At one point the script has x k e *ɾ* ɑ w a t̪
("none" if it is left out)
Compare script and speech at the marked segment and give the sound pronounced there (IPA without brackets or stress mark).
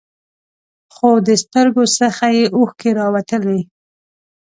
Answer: ɾ